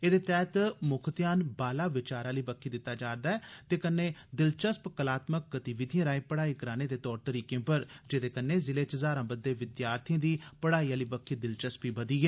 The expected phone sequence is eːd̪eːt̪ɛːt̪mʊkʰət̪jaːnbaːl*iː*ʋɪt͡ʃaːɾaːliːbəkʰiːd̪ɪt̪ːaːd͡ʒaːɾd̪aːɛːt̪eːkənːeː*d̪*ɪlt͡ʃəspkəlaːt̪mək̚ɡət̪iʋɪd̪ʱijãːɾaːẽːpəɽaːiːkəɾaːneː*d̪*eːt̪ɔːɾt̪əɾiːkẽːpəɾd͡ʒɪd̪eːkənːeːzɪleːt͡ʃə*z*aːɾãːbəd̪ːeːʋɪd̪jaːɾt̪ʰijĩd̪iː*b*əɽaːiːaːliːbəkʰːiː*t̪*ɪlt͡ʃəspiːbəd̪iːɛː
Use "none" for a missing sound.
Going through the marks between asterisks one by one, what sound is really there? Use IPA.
aː, d̪, d̪, z, p, d̪

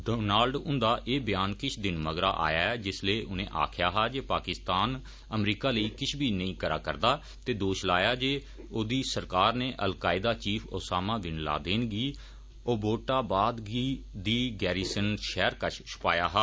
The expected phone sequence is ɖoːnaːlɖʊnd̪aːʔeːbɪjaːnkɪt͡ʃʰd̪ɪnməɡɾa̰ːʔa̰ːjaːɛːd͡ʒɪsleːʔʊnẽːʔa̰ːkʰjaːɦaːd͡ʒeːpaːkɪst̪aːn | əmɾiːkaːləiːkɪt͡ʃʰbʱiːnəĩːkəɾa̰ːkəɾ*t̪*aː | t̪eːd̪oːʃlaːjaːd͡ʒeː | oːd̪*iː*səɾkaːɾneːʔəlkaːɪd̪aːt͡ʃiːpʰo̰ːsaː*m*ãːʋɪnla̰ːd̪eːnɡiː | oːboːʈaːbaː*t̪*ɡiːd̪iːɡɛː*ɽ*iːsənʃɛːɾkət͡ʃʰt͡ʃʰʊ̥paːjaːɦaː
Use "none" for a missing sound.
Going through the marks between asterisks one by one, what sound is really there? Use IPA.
d̪, iː, m, d̪, ɾ

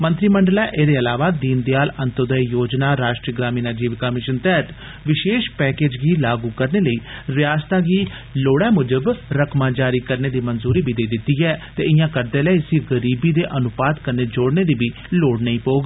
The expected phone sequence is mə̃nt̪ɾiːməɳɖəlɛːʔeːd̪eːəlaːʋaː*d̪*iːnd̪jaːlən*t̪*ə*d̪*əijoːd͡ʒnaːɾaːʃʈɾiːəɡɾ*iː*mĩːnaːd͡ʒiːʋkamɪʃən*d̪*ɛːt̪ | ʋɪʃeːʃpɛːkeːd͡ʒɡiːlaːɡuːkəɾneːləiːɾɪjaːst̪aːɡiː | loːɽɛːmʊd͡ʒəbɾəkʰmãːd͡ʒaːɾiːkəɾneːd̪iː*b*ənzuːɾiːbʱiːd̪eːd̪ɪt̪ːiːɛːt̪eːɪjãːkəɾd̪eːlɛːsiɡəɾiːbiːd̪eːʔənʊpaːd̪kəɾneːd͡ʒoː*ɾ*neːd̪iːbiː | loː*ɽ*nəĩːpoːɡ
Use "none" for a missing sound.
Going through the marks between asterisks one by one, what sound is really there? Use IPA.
d̪, t̪, d̪, aː, t̪, m, ɽ, ɽ

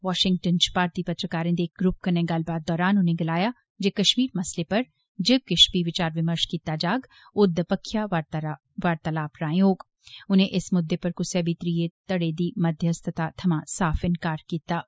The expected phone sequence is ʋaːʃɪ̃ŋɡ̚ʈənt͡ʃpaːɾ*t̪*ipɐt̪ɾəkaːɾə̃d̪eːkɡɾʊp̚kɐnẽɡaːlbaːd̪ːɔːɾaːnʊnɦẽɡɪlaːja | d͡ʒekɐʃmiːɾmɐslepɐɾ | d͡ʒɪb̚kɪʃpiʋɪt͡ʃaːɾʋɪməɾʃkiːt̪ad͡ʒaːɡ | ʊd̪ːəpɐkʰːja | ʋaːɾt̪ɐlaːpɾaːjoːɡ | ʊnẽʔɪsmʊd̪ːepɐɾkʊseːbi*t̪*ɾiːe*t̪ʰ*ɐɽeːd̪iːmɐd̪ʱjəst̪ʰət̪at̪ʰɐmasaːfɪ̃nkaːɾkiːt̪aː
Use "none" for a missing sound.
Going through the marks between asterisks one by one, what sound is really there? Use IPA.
t̪, t̪, t̪

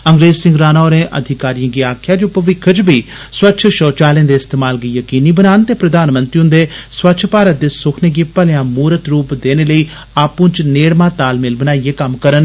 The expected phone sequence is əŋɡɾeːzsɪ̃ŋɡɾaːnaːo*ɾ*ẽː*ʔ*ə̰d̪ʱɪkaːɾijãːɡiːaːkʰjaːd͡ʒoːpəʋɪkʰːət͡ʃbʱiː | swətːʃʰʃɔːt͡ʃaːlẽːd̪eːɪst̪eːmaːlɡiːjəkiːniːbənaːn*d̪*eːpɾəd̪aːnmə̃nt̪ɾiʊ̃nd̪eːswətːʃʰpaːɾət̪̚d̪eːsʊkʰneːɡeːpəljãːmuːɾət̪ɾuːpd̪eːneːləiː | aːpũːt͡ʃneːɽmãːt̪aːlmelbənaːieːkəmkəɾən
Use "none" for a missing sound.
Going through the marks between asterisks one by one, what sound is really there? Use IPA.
ɾ, ʔ, t̪

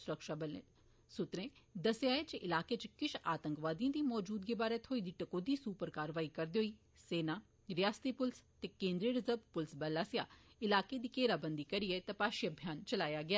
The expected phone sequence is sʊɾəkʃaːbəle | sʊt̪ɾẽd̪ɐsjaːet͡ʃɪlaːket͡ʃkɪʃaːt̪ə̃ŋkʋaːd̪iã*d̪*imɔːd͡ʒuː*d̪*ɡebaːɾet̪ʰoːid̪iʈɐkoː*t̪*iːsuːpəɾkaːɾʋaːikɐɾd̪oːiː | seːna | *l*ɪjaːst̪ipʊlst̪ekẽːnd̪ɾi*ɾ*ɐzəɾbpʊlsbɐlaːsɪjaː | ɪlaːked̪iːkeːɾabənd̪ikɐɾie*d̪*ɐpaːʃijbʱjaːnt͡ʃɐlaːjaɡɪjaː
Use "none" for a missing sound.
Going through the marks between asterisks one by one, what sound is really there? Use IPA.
d̪, d̪, d̪, ɾ, ɾ, t̪

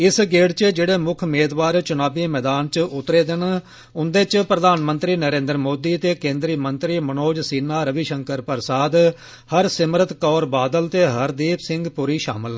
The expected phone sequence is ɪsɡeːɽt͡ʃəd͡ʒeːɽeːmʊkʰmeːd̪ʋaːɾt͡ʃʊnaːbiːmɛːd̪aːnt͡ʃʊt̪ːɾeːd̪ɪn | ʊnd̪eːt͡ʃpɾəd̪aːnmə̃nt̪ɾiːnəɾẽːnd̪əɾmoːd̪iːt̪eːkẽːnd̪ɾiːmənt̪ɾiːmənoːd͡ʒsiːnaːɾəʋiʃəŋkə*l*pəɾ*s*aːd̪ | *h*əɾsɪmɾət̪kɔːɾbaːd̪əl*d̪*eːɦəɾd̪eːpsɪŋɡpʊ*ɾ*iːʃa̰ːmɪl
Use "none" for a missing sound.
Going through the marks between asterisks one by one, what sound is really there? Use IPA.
ɾ, s, h, t̪, ɾ

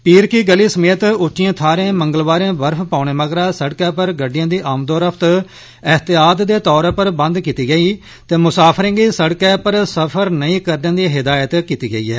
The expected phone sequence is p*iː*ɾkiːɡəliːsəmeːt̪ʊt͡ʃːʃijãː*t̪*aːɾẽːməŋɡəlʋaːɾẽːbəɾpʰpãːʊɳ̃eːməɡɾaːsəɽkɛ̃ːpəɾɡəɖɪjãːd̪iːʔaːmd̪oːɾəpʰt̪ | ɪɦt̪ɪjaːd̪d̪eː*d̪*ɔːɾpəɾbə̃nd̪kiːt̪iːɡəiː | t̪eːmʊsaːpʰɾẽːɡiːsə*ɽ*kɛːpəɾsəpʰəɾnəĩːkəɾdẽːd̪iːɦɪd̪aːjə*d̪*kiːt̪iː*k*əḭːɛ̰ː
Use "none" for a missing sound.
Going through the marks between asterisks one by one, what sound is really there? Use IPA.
iː, t̪ʰ, t̪, ɽ, t̪, ɡ

